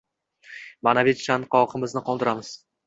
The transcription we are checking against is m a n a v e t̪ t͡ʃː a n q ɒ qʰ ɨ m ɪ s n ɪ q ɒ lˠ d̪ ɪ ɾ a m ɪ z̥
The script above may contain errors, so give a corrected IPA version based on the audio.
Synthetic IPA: m a n a v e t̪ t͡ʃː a n q ɒ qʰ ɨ m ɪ z n ɪ q ɒ lˠ d̪ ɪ ɾ a m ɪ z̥

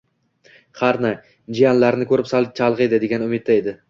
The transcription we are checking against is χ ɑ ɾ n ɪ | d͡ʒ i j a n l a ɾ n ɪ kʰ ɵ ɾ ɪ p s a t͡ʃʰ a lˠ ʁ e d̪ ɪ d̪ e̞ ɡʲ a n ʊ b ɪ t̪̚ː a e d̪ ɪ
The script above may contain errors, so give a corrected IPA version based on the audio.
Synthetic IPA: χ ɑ ɾ n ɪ | d͡ʒ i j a n l a ɾ n ɪ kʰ ɵ ɾ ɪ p s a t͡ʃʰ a lˠ ʁ e d̪ ɪ d̪ e̞ ɡʲ a n ʊ m ɪ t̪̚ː a e d̪ ɪ

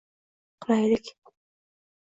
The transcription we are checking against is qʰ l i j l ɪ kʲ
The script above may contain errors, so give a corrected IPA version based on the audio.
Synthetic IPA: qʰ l a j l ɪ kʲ

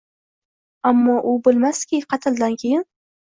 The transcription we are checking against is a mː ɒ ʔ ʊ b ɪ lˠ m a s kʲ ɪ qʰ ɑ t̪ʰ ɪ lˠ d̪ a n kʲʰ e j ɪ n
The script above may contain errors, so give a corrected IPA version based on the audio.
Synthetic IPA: a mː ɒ ʔ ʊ b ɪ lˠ m a s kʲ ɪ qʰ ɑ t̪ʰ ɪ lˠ d̪ a n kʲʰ e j ɪ n

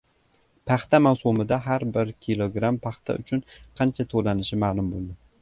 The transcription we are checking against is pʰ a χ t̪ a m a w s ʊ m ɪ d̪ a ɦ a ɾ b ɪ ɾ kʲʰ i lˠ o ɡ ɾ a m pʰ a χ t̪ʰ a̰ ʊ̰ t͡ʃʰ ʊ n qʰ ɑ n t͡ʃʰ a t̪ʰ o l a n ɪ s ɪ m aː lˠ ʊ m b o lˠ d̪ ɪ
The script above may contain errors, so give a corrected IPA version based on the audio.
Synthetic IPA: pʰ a χ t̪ a m a w s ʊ m ɪ d̪ a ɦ a ɾ b ɪ ɾ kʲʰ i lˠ o ɡ ɾ a m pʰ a χ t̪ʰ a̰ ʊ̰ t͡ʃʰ ʊ n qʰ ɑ n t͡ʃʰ a t̪ʰ o l a n ɪ ʃ ɪ m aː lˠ ʊ m b o lˠ d̪ ɪ

